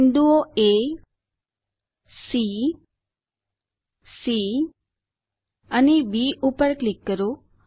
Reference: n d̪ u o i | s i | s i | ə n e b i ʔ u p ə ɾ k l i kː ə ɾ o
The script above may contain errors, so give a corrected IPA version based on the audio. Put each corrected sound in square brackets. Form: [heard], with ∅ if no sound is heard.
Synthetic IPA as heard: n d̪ u o [e] | s i | s i | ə n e b i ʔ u p ə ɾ k l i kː ə ɾ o